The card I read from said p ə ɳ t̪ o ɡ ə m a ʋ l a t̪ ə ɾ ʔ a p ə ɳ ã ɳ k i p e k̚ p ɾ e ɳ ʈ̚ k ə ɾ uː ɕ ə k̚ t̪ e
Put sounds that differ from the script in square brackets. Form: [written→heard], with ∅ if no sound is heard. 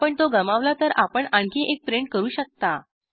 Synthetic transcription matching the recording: p ə ɳ t̪ o ɡ ə m a ʋ l a t̪ ə ɾ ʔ a p ə ɳ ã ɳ k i [p→ʔ] e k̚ p ɾ e ɳ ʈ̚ k ə ɾ uː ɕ ə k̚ t̪ [e→a]